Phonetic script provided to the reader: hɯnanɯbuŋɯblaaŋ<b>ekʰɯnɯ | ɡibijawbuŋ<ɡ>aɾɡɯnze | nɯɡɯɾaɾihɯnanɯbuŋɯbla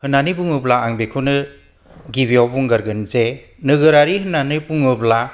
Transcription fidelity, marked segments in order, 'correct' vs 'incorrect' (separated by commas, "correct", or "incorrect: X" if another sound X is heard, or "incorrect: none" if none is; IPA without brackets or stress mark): correct, correct